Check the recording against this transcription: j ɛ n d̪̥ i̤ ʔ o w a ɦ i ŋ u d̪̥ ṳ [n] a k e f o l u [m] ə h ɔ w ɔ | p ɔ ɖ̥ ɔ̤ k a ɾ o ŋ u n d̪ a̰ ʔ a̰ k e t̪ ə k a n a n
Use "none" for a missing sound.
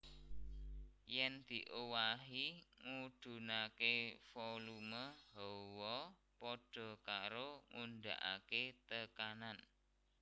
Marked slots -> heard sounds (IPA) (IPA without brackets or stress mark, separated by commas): n, m